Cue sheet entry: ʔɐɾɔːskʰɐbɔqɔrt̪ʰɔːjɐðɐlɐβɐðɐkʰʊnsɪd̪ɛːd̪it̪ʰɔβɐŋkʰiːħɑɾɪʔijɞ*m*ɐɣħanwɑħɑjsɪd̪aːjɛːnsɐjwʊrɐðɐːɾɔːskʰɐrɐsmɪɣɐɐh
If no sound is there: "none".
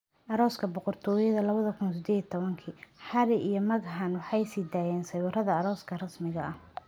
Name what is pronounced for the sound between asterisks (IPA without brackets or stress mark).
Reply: m